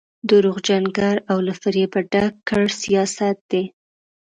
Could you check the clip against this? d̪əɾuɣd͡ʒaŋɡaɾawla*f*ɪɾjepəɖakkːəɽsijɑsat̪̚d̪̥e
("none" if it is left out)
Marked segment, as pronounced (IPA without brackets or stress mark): f